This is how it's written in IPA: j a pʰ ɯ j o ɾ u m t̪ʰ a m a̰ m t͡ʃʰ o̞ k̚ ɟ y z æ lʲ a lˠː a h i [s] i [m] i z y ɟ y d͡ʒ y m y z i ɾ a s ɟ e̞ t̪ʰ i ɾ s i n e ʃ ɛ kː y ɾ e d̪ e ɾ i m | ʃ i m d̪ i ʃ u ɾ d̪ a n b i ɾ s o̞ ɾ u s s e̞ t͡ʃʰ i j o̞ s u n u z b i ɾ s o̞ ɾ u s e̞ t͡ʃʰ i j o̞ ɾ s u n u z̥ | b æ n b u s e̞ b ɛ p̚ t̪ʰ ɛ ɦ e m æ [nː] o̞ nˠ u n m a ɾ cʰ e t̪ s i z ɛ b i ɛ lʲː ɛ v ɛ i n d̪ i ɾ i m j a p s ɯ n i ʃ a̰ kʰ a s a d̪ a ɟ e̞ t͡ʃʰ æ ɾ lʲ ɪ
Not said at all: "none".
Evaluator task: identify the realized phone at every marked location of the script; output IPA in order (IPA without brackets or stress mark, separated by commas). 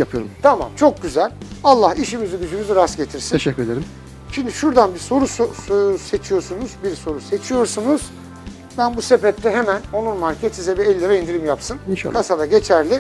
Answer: ʃ, m, n